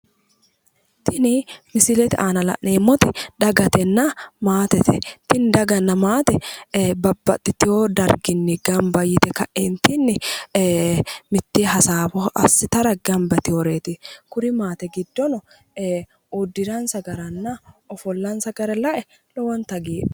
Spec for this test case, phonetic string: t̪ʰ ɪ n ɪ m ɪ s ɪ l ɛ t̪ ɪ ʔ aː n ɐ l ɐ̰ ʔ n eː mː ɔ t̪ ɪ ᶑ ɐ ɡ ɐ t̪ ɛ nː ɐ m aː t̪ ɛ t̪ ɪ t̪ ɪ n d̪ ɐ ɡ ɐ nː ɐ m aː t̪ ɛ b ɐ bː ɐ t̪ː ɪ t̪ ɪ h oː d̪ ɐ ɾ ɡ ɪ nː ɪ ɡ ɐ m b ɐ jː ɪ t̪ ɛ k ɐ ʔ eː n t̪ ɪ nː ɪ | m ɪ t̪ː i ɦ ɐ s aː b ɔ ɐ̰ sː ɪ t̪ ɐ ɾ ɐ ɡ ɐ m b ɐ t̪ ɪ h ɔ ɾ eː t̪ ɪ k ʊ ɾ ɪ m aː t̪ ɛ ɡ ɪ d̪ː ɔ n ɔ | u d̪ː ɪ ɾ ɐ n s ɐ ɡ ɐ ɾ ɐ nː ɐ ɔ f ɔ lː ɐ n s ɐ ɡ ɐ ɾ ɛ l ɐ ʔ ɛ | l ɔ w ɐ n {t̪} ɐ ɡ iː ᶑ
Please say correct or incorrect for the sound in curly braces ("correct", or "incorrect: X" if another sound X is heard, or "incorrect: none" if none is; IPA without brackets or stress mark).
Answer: correct